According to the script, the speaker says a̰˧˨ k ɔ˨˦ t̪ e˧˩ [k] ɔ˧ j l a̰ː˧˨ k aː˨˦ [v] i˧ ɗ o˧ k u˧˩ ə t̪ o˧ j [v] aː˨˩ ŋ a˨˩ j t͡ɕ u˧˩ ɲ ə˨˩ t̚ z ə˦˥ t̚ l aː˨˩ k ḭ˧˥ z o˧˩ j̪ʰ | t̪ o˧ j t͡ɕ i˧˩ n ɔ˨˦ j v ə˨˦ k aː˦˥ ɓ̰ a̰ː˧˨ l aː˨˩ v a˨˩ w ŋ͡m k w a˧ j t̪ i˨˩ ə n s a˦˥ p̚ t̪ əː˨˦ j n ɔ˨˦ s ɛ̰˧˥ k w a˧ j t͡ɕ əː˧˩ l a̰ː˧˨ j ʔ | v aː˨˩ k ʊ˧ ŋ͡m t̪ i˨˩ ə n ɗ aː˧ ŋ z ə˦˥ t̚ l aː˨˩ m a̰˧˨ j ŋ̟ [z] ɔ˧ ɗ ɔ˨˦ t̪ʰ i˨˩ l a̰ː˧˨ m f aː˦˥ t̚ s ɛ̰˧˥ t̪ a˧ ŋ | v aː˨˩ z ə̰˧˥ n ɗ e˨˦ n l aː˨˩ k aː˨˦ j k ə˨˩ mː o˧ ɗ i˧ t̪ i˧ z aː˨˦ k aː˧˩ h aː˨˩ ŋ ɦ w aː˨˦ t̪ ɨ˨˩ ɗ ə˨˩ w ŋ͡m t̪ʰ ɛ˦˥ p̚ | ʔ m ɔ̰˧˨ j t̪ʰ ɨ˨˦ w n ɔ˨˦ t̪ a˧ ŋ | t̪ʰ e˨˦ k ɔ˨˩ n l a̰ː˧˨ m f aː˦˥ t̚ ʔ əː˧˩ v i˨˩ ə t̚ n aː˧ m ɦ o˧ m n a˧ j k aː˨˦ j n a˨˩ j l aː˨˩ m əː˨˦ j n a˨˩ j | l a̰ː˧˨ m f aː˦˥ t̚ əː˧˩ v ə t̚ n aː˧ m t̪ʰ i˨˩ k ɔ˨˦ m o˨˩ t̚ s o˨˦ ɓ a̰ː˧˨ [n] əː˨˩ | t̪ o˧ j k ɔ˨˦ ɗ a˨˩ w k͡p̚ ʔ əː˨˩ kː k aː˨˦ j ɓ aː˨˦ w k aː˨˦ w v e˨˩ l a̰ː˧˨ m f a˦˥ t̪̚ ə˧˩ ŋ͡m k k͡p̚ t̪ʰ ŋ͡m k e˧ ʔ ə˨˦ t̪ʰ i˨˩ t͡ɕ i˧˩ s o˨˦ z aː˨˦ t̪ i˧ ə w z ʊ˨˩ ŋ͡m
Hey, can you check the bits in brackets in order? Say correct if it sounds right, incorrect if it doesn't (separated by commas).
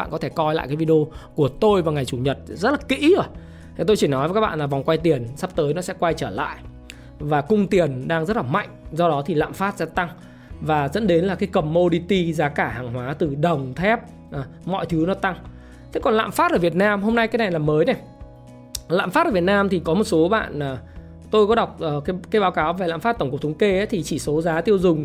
correct, correct, correct, correct, correct